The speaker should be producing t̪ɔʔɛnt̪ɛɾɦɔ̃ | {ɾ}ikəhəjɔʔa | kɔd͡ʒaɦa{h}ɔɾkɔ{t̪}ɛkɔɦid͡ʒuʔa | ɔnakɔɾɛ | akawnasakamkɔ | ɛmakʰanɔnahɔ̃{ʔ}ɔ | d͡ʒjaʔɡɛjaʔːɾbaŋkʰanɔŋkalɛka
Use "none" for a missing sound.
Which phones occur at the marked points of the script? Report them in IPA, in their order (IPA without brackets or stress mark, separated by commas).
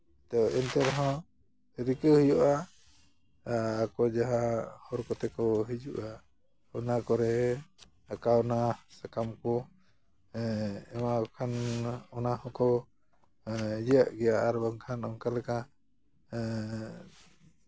ɾ, h, t̪, k